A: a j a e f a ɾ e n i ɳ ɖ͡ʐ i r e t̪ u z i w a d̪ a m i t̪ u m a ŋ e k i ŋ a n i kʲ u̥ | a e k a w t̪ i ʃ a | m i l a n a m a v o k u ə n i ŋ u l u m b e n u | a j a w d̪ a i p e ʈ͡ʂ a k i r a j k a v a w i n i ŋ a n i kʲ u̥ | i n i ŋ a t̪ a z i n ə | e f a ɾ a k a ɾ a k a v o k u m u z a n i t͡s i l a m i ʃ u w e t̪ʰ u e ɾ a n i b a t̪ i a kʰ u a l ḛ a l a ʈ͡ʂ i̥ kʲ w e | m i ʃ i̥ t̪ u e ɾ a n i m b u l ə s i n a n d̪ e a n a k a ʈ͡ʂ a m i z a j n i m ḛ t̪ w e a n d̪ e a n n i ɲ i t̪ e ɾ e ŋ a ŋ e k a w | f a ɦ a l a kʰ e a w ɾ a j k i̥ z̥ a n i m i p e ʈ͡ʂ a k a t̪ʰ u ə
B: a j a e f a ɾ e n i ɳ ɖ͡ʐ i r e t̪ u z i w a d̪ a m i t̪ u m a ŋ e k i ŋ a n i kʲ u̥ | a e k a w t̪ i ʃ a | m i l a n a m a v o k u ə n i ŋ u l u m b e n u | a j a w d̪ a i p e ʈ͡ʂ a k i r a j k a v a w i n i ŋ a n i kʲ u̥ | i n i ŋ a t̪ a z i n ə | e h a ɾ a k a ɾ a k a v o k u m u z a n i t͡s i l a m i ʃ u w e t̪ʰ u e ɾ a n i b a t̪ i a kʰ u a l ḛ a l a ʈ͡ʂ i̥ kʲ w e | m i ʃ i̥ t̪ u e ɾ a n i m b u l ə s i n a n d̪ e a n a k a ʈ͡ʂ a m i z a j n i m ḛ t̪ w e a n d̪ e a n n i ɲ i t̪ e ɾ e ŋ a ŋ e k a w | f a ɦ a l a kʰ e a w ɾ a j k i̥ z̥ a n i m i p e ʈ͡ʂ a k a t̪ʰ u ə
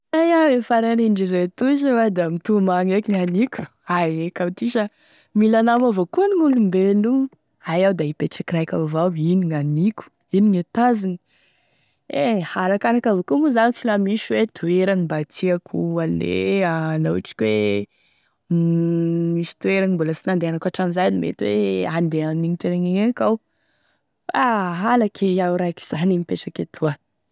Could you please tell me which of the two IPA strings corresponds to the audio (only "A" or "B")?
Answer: B